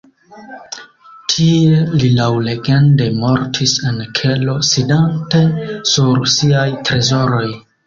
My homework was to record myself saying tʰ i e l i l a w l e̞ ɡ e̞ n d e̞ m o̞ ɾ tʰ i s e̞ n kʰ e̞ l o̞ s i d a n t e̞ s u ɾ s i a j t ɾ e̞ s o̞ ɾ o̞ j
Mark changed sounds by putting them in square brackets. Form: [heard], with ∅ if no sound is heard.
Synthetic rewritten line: tʰ i e l i l a w l e̞ ɡ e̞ n d e̞ m o̞ ɾ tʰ i s e̞ n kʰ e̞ l o̞ s i d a n t e̞ s u ɾ s i a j t ɾ e̞ [z] o̞ ɾ o̞ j